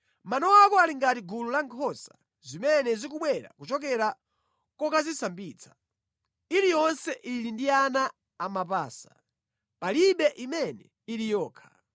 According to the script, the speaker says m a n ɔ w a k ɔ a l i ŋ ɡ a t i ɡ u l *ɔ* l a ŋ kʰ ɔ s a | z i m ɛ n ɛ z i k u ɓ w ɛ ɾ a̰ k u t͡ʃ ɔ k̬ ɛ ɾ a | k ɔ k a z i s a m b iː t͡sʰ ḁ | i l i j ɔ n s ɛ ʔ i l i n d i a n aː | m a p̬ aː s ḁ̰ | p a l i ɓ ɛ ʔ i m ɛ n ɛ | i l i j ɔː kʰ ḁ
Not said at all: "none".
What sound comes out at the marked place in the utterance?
u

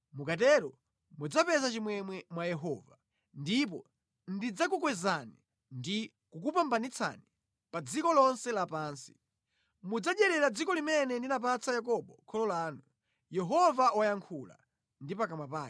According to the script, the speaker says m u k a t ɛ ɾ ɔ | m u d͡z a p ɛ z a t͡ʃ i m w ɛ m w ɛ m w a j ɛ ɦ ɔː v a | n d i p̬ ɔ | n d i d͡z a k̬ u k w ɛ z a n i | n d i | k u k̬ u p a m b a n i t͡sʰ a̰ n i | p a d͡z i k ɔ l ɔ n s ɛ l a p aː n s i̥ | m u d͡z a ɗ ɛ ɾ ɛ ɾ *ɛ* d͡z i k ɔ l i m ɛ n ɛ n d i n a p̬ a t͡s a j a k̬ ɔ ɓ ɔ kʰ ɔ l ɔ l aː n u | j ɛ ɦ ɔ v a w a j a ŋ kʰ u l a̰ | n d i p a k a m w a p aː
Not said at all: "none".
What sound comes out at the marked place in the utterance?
a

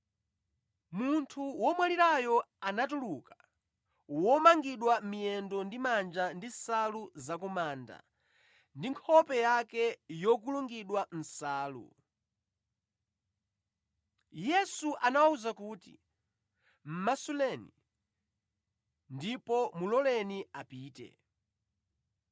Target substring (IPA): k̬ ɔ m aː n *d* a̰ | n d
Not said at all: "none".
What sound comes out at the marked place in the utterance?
d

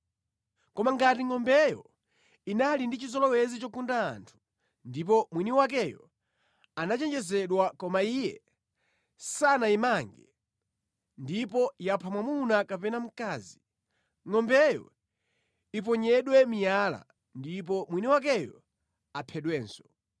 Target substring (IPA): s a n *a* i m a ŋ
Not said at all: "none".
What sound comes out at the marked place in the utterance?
a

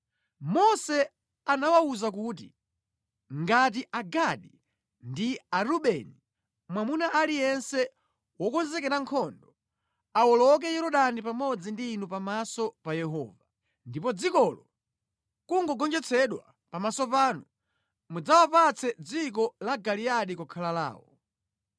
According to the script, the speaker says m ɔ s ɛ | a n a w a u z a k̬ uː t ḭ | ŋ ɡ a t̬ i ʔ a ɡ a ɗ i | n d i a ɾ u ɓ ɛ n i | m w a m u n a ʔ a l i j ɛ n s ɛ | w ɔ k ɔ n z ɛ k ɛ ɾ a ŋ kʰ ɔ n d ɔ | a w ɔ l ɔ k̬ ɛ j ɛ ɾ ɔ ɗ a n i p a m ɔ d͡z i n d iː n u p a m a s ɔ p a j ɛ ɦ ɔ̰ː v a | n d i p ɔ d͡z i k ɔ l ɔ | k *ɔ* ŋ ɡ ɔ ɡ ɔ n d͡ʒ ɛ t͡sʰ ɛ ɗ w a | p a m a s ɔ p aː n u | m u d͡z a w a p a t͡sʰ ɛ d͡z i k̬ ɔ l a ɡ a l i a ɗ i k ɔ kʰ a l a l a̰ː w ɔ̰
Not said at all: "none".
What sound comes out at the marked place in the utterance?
u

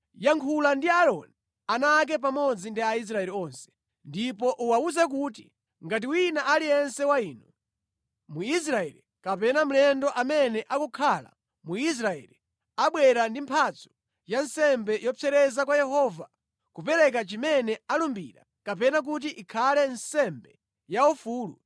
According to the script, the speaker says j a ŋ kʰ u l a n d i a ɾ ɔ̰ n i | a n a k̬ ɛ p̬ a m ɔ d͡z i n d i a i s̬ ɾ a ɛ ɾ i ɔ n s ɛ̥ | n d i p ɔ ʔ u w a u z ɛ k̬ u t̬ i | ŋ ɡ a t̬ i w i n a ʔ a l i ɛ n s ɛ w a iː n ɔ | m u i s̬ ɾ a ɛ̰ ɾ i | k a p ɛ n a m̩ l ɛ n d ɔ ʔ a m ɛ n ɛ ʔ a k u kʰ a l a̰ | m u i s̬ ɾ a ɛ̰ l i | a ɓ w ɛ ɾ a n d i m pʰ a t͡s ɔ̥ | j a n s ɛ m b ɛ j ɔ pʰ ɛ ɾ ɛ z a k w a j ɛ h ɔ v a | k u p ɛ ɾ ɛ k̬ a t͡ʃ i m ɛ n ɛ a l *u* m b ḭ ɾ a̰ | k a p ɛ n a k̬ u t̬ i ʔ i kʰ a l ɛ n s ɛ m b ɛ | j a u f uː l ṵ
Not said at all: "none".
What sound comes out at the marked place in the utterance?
u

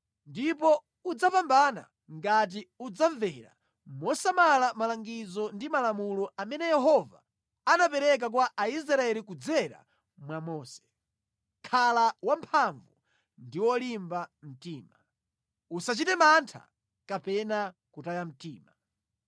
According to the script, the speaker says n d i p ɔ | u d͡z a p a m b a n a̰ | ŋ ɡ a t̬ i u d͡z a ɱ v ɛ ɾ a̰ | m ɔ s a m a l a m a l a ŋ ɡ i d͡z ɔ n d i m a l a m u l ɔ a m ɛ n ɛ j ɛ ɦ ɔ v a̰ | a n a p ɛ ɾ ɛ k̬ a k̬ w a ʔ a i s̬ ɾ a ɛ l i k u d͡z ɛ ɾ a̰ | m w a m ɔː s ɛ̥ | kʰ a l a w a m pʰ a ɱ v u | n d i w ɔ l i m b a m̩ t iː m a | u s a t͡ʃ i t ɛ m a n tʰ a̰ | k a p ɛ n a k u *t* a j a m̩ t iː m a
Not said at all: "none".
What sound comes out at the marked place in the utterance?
t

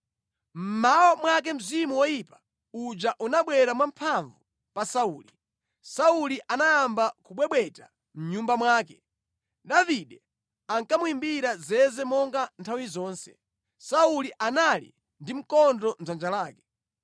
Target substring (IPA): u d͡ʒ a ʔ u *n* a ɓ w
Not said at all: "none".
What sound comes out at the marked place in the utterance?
n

